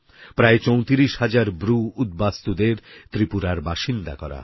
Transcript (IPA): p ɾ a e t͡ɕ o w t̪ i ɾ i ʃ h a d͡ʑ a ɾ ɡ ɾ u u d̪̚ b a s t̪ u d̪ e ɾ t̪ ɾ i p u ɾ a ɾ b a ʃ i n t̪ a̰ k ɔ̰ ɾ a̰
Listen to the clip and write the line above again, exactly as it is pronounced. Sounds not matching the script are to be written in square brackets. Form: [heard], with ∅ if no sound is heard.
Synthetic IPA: p ɾ a e t͡ɕ o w t̪ i ɾ i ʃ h a d͡ʑ a ɾ [b] ɾ u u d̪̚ b a s t̪ u d̪ e ɾ t̪ ɾ i p u ɾ a ɾ b a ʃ i n [d̪] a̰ k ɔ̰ ɾ a̰